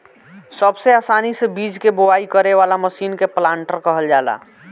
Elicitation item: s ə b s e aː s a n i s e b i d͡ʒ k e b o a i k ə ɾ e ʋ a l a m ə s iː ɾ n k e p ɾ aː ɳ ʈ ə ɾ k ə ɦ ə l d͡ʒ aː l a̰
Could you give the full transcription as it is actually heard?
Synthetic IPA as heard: s ə b s e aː s a n i s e b i d͡ʒ k e b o a i k ə ɾ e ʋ a l a m ə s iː n k e p l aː ɳ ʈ ə ɾ k ə ɦ ə l d͡ʒ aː l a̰